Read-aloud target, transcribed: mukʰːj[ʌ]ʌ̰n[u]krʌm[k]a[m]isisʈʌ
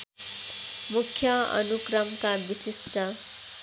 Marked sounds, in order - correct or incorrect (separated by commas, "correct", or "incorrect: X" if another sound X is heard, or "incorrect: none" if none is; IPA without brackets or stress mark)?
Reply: correct, correct, correct, incorrect: b